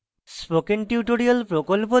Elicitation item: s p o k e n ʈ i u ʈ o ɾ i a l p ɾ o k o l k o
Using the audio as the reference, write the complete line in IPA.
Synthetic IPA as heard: s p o k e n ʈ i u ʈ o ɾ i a l p ɾ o k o l p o